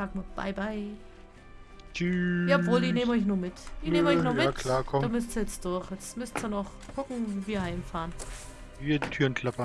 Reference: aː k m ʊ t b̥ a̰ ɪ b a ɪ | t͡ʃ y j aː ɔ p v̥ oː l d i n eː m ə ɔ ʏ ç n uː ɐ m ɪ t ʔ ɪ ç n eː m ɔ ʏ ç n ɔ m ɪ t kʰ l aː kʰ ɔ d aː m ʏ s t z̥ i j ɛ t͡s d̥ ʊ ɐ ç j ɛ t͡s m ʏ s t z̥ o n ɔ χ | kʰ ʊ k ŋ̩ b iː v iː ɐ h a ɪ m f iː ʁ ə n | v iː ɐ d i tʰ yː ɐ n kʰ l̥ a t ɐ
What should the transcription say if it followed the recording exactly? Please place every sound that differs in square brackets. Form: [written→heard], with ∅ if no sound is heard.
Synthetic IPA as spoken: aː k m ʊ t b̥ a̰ ɪ b a ɪ | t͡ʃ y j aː ɔ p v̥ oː l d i n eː m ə ɔ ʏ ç n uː ɐ m ɪ t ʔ ɪ ç n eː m ɔ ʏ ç n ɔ m ɪ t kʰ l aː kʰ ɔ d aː m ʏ s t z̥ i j ɛ t͡s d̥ ʊ ɐ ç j ɛ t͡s m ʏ s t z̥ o n ɔ χ | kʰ ʊ k ŋ̩ [b→v] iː v iː ɐ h a ɪ m f [iː→aː] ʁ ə n | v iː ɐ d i tʰ yː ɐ n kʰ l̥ a [t→p] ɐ

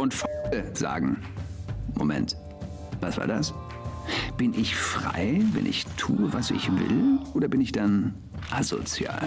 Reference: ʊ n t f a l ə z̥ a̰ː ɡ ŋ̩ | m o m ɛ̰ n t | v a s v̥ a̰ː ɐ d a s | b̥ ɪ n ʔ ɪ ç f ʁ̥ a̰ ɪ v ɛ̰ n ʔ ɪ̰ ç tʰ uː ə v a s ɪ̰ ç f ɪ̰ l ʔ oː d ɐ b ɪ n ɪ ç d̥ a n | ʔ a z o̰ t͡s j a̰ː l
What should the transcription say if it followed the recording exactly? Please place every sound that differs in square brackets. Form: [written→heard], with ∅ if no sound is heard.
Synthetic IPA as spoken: ʊ n t f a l ə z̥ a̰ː ɡ ŋ̩ | m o m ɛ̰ n t | v a s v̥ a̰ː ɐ d a s | b̥ ɪ n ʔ ɪ ç f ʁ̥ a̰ ɪ v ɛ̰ n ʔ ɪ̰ ç tʰ uː ə v a s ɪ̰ ç [f→v] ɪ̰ l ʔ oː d ɐ b ɪ n ɪ ç d̥ a n | ʔ a z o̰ t͡s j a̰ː l

